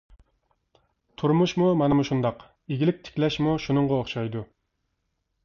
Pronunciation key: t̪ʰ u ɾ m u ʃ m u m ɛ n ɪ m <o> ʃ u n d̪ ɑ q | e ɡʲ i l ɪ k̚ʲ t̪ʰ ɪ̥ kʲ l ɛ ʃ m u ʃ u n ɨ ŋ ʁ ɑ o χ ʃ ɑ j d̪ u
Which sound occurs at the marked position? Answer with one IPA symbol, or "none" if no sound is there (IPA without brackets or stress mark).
u